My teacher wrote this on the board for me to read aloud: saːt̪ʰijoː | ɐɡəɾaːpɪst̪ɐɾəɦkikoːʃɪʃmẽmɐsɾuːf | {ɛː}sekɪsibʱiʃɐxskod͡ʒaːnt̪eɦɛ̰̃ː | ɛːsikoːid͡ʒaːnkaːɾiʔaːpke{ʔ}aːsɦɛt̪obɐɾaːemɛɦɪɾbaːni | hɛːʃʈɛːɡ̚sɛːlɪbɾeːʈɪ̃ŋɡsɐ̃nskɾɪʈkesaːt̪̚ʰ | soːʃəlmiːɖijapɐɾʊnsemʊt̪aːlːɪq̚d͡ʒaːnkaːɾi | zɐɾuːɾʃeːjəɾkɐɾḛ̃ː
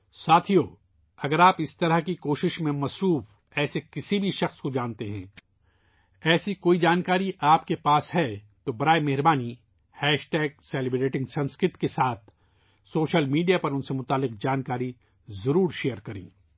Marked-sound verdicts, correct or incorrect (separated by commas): correct, incorrect